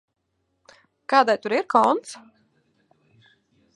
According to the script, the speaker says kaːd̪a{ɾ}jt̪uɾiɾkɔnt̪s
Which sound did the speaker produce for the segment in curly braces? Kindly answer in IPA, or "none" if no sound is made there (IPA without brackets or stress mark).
none